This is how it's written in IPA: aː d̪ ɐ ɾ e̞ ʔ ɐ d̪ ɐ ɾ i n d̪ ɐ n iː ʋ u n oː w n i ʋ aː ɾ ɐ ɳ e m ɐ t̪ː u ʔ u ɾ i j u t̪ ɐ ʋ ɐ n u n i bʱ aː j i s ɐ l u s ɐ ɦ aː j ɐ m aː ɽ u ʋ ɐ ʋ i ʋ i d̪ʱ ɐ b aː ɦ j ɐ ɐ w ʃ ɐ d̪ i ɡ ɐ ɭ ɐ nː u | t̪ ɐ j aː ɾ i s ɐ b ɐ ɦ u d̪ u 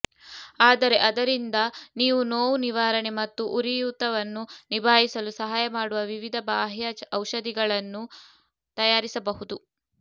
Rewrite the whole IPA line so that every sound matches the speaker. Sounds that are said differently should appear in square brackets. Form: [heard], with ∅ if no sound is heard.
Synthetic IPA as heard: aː d̪ ɐ ɾ e̞ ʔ ɐ d̪ ɐ ɾ i n d̪ ɐ n iː ʋ u n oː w n i ʋ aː ɾ ɐ ɳ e m ɐ t̪ː u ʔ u ɾ i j u t̪ ɐ ʋ ɐ [nː] u n i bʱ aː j i s ɐ l u s ɐ ɦ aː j ɐ m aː ɽ u ʋ ɐ ʋ i ʋ i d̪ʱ ɐ b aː ɦ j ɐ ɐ w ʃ ɐ d̪ i ɡ ɐ ɭ ɐ nː u | t̪ ɐ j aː ɾ i s ɐ b ɐ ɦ u d̪ u